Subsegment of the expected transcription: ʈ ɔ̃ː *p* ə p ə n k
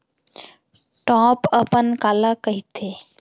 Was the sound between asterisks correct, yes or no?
yes